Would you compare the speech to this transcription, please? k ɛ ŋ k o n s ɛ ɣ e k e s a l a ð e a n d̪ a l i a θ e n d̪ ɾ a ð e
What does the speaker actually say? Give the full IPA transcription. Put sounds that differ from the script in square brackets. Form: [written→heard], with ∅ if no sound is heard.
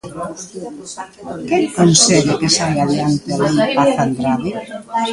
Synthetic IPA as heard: k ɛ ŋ k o n s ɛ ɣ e k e s a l a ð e a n [d̪→t̪] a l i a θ [e→a] n d̪ ɾ a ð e